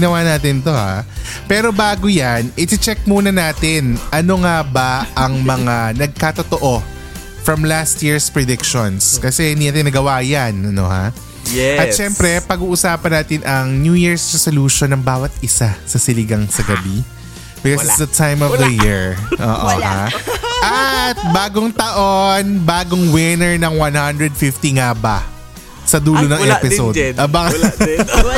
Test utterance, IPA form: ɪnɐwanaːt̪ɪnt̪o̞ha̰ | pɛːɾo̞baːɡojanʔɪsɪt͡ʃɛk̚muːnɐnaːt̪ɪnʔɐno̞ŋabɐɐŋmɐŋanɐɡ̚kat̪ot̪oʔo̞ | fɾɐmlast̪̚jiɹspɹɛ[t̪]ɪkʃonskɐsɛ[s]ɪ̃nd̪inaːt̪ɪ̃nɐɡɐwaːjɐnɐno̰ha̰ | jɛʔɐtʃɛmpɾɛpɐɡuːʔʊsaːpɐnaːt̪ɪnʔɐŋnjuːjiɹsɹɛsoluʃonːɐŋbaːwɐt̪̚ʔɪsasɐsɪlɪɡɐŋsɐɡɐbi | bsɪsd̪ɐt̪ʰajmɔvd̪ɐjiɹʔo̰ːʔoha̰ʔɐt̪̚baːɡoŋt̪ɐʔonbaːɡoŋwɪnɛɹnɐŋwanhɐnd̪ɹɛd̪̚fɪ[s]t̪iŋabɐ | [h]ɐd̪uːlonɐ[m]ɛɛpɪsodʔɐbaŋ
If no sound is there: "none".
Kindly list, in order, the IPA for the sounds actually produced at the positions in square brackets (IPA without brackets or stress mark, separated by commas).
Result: d̪, h, f, s, ŋ